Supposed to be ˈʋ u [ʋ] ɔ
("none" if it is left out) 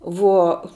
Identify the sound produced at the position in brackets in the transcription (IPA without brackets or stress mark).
none